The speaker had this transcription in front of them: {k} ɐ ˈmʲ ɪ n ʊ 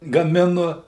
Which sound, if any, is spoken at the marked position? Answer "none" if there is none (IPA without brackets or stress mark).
ɡ